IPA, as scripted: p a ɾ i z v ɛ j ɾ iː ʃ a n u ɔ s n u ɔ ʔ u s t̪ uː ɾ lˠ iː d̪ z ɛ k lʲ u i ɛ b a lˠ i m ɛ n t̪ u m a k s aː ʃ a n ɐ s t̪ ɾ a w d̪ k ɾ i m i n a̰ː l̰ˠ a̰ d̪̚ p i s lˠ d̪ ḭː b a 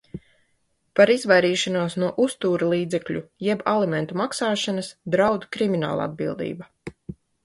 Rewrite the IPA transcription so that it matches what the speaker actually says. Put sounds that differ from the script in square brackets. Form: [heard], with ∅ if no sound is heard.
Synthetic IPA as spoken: p a ɾ i z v [a] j ɾ iː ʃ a n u ɔ s n u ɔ ʔ u s t̪ uː ɾ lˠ iː d̪ z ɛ k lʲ u [j] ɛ b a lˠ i m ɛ n t̪ u m a k s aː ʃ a n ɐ s [d̪] ɾ a w d̪ k ɾ i m i n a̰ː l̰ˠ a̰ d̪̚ [b] i [∅] lˠ d̪ ḭː b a